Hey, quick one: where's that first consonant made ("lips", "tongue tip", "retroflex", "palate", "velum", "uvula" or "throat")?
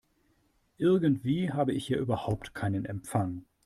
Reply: throat